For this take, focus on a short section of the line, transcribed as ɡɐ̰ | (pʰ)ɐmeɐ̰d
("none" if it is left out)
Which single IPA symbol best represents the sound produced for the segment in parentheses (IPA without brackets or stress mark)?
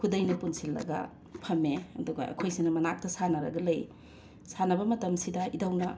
pʰ